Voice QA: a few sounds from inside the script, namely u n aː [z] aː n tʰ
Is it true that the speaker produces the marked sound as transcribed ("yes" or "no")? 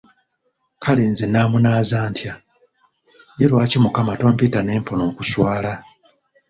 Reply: yes